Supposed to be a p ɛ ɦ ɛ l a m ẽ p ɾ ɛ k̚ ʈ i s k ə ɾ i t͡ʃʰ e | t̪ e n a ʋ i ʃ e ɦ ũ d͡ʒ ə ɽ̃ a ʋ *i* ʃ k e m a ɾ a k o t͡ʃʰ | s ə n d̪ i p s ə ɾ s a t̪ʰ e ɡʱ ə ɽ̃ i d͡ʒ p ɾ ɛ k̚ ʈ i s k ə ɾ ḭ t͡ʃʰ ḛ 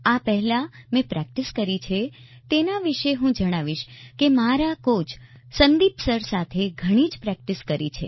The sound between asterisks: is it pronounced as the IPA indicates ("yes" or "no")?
yes